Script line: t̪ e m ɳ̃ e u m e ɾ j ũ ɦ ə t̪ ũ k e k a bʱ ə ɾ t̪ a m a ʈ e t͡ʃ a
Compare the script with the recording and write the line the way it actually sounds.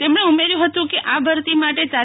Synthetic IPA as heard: t̪ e m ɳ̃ e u m e ɾ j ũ ɦ ə t̪ ũ k e ʔ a bʱ ə ɾ t̪ i m a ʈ e t͡ʃ a